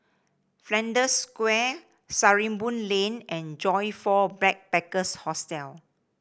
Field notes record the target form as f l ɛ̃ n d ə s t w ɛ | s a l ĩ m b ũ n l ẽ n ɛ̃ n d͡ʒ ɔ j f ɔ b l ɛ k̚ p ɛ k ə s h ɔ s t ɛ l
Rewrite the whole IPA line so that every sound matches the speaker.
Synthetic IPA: f l ɛ̃ n d ə s k w ɛ | s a ɹ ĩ m b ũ n l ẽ n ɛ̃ n d͡ʒ ɔ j f ɔ b l ɛ k̚ p ɛ k ə s h ɔ s t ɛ l